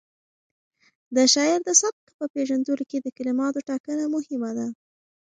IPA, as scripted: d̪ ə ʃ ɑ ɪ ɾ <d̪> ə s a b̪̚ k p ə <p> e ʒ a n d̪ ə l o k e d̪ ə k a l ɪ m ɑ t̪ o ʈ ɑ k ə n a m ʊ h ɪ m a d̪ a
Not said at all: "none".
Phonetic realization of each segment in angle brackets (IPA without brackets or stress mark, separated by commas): d̪, p